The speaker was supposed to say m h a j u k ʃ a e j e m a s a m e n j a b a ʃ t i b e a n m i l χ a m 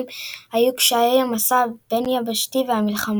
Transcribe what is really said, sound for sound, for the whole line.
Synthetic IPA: m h a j u k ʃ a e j a m a s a b e n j a b a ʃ t i v e a m i l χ a m